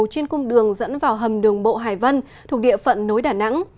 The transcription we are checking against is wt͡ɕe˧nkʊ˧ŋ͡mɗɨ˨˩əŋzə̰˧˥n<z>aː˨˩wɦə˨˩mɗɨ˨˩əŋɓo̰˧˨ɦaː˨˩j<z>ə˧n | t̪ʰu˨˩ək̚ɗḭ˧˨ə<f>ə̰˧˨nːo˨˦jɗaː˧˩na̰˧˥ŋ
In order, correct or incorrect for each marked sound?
incorrect, incorrect, correct

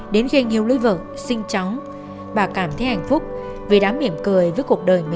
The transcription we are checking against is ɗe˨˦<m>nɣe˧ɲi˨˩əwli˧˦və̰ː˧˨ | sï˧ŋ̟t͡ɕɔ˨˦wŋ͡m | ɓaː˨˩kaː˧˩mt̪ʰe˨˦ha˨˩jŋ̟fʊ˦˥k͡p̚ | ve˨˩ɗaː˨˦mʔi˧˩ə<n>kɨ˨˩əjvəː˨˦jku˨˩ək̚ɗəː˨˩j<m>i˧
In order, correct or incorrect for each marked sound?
incorrect, incorrect, correct

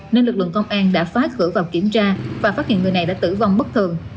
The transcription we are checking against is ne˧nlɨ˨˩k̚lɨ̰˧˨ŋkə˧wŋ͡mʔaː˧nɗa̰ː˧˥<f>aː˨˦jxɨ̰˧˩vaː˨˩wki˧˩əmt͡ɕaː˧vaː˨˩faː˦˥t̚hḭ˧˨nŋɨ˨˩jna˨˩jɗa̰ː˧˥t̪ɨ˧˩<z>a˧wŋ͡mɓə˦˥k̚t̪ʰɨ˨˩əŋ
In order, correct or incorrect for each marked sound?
correct, incorrect

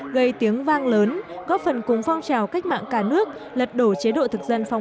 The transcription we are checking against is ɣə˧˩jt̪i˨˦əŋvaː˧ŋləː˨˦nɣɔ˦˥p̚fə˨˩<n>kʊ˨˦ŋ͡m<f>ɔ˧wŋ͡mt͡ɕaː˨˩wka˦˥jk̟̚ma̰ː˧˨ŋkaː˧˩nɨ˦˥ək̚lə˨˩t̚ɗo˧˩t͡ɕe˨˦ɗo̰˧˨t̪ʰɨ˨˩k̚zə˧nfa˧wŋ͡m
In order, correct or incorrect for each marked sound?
correct, correct

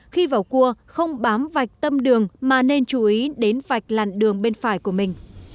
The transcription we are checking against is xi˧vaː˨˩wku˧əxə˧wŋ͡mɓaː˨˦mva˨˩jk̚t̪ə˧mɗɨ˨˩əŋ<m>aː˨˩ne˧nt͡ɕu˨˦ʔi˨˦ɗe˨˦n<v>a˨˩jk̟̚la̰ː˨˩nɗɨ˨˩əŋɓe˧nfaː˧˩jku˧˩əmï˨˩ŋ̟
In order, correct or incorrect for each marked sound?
correct, correct

